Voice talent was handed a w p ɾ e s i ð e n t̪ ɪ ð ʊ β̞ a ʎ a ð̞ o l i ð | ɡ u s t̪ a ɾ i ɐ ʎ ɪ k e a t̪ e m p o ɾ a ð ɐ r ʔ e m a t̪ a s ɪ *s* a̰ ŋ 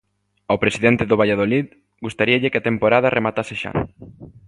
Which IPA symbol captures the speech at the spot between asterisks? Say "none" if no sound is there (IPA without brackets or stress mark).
ʃ